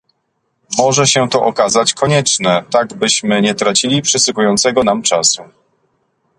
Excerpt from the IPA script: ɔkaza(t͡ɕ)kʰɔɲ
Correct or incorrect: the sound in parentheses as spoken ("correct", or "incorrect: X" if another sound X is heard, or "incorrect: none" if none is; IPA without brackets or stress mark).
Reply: correct